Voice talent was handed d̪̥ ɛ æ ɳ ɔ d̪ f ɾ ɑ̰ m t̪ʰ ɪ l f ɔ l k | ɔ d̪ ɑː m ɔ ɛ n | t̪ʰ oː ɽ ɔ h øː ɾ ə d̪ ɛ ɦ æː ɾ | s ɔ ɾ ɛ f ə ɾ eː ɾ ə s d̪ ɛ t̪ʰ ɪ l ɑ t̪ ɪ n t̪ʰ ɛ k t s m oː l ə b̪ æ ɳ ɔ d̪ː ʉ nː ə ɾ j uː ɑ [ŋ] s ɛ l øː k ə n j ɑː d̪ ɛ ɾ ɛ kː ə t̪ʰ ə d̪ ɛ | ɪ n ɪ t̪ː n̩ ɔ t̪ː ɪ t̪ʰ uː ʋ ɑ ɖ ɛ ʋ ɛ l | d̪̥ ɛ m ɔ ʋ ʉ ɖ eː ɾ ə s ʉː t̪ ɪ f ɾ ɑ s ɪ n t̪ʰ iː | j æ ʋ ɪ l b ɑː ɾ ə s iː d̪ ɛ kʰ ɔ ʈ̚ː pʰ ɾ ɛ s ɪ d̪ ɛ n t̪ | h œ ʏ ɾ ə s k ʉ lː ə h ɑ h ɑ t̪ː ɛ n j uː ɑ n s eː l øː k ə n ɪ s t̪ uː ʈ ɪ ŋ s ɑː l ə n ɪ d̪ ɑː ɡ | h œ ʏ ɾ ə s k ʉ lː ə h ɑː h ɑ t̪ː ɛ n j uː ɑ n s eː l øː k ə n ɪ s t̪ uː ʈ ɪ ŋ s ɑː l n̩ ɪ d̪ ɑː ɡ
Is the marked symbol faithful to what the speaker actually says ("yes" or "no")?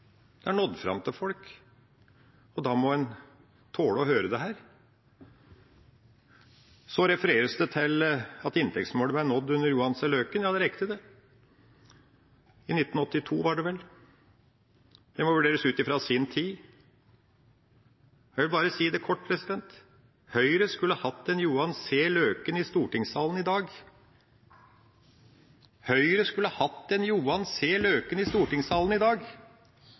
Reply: no